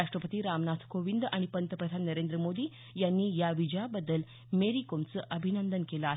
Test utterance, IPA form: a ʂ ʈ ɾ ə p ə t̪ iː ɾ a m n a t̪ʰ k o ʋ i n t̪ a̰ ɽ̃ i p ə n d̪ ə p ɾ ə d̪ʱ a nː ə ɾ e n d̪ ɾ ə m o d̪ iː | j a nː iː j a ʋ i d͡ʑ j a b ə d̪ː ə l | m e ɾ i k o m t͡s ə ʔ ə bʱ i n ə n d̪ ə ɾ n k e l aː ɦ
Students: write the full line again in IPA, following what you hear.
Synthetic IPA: a ʂ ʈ ɾ ə p ə t̪ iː ɾ a m n a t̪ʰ k o ʋ i n d̪ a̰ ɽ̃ i p ə n t̪ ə p ɾ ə d̪ʱ a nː ə ɾ e n d̪ ɾ ə m o d̪ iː | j a nː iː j a ʋ i d͡ʑ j a b ə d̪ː ə l | m e ɾ i k o m t͡s ə ʔ ə bʱ i n ə n d̪ ə n k e l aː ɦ

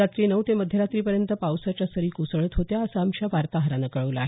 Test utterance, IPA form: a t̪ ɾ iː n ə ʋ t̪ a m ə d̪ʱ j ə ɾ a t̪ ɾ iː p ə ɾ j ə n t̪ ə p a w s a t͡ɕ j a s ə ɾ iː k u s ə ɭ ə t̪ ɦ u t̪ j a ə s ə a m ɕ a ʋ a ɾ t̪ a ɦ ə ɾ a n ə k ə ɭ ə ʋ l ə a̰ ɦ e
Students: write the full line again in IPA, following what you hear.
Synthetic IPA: a t̪ ɾ iː n ə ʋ t̪ e m ə d̪ʱ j ə ɾ a t̪ ɾ iː p ə ɾ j ə n t̪ ə p a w s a t͡ɕ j a s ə ɾ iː k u s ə ɭ ə t̪ ɦ o t̪ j a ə s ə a m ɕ a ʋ a ɾ t̪ a ɦ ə ɾ a n ə k ə ɭ ə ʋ l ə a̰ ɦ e

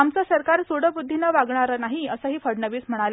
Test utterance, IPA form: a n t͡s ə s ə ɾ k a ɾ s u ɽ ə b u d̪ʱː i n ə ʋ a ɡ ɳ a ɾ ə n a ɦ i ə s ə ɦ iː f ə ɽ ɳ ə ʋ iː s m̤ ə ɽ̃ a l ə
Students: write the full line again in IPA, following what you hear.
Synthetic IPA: a m t͡s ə s ə ɾ k a ɾ s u ɽ ə b u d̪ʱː i n ə ʋ a ɡ ɳ a ɾ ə n a ɦ i ə s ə ɦ iː f ə ɽ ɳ ə ʋ iː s m̤ ə ɽ̃ a l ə

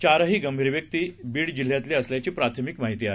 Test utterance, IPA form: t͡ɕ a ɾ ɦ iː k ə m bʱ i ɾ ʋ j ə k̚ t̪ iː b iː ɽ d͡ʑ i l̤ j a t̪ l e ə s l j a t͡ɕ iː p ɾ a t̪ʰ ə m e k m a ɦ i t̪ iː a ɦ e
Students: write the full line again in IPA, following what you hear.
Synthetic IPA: t͡ɕ a ɾ ɦ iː ɡ ə m bʱ i ɾ ʋ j ə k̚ t̪ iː b iː ɽ d͡ʑ i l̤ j a t̪ l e ə s l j a t͡ɕ iː p ɾ a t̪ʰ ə m i k m a ɦ i t̪ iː a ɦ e

